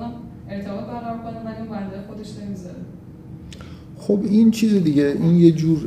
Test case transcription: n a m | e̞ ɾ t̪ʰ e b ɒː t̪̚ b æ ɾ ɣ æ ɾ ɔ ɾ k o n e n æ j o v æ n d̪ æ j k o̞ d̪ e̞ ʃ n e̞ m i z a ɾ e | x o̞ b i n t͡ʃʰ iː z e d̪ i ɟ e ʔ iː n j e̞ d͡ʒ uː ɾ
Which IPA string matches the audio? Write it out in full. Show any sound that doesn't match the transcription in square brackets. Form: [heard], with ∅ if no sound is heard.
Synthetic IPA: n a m | e̞ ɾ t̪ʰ e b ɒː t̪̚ b æ ɾ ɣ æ ɾ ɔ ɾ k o n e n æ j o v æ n d̪ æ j [x] o̞ d̪ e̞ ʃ n e̞ m i z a ɾ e | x o̞ b i n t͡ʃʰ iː z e d̪ i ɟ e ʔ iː n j e̞ d͡ʒ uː ɾ